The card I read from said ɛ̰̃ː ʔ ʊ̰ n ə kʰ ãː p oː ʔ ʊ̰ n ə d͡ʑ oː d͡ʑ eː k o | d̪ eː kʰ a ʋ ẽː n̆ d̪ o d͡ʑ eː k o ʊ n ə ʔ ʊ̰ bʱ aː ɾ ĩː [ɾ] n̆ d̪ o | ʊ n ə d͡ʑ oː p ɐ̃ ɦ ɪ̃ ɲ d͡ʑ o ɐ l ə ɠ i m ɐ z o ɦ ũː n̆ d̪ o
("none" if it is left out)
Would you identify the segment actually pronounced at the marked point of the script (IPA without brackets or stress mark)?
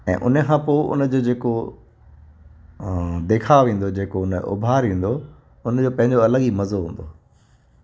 none